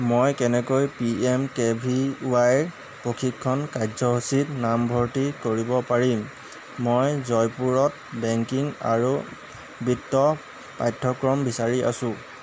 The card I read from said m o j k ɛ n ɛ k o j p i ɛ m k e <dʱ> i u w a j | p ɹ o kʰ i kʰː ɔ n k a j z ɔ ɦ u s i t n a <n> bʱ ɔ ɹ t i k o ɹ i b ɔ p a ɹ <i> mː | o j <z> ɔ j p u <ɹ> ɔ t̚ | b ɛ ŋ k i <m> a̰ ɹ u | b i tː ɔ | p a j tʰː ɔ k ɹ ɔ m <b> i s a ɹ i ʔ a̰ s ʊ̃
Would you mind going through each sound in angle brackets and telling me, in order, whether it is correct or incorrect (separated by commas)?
incorrect, incorrect, correct, correct, correct, incorrect, correct